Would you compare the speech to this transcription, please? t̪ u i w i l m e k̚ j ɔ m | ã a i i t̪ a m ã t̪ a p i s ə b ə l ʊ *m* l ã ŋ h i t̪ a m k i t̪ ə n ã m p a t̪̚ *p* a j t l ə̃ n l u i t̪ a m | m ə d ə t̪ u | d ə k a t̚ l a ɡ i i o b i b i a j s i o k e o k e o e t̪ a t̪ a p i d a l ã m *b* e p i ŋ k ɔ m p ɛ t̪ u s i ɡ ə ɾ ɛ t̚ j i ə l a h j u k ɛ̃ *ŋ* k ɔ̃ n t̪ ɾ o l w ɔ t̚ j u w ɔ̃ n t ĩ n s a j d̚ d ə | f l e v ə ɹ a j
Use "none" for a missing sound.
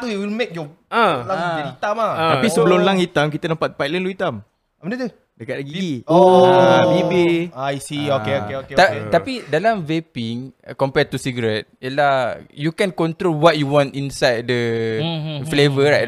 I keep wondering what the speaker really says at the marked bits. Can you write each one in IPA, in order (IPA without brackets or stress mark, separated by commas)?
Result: m, p, v, n